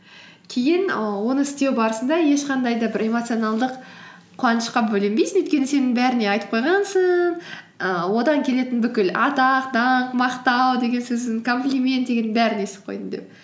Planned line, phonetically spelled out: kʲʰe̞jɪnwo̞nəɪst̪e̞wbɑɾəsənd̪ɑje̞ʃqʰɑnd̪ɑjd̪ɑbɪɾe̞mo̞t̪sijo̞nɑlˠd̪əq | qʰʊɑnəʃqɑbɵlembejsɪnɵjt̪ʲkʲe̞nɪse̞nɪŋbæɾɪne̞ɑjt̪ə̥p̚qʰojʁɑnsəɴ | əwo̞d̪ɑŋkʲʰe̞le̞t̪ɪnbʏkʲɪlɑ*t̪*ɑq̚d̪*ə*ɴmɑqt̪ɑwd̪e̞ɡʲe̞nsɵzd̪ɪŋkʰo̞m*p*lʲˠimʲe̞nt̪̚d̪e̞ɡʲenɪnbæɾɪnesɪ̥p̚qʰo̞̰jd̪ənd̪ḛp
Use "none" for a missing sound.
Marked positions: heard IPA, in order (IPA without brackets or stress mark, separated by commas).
t̪, ɑ, p